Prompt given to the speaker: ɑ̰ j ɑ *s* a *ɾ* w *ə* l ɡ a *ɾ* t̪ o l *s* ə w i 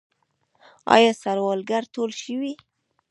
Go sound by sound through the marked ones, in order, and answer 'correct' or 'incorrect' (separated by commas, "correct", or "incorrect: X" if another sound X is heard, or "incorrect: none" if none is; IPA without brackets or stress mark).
correct, correct, incorrect: ɑ, correct, incorrect: ʃ